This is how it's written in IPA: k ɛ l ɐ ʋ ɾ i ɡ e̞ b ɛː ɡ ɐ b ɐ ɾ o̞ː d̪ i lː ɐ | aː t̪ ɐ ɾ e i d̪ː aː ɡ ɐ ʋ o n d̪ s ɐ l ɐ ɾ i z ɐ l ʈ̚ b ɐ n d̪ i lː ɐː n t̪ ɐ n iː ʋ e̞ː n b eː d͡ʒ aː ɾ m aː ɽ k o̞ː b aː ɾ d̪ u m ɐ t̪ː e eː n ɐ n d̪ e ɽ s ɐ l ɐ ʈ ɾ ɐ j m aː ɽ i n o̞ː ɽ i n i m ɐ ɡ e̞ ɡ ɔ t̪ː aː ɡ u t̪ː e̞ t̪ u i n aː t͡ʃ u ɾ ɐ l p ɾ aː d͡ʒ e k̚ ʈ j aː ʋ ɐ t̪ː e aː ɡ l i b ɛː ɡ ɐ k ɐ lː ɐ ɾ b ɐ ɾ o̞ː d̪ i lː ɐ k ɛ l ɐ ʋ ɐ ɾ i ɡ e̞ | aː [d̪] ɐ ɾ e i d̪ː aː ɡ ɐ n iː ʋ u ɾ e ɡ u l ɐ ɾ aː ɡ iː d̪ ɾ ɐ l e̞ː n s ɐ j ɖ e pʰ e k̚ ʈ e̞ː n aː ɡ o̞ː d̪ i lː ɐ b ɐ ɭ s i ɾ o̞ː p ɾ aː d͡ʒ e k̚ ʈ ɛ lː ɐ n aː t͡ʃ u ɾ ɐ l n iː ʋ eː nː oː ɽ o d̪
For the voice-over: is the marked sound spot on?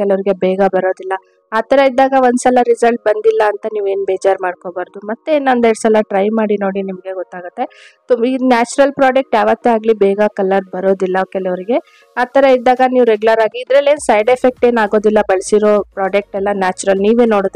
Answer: no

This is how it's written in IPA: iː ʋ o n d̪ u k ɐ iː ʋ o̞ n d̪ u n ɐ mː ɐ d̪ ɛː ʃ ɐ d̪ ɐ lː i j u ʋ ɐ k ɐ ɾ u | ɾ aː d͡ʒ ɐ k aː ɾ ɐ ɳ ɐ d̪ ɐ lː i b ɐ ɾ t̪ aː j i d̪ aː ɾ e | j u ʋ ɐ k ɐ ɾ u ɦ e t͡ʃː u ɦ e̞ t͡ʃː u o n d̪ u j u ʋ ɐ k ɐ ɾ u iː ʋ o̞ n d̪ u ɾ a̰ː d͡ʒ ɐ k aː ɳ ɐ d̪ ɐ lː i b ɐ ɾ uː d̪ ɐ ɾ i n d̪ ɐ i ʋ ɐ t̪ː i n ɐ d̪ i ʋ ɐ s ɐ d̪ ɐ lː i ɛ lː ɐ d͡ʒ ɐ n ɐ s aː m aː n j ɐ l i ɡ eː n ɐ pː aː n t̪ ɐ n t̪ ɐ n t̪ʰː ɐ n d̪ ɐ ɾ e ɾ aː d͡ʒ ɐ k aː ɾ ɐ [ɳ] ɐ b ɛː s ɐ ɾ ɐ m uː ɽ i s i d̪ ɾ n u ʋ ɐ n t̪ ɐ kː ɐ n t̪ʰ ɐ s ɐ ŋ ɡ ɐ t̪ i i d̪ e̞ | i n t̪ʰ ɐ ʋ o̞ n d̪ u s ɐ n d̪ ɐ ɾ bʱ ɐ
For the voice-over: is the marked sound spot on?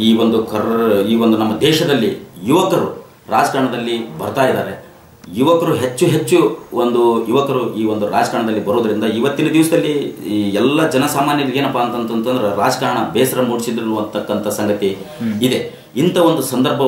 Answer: yes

